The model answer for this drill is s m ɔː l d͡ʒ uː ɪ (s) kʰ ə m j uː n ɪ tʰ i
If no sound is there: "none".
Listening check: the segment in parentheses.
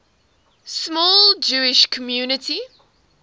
ʃ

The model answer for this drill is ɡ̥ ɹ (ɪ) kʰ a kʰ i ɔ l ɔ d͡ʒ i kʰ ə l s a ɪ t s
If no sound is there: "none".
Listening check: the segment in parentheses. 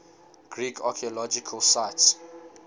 i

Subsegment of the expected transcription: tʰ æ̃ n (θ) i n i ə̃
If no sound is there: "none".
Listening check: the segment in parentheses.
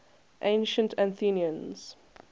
θ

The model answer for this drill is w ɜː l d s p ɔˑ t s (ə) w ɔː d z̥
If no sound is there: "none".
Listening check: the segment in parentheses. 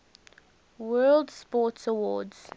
ə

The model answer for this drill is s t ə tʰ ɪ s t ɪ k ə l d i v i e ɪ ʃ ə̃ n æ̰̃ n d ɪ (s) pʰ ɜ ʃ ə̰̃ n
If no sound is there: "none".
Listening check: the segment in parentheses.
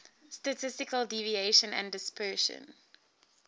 s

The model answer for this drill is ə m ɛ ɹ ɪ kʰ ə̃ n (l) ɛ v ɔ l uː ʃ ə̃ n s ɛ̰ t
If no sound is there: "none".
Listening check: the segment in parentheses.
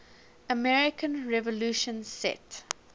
ɹ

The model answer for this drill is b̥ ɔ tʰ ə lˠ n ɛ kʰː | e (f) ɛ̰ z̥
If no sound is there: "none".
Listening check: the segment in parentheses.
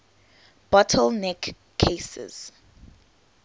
s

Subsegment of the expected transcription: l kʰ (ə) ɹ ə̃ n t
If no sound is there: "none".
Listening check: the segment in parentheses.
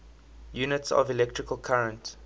a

